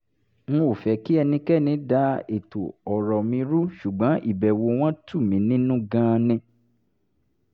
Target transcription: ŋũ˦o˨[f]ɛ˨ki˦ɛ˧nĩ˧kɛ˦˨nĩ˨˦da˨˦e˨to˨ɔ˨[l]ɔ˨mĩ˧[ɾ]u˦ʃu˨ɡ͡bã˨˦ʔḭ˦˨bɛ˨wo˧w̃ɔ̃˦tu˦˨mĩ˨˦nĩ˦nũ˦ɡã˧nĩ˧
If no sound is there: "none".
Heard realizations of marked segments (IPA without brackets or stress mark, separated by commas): f, ɾ, ɾ